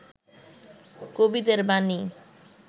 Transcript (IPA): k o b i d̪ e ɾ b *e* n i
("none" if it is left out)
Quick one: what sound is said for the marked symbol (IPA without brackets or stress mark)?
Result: a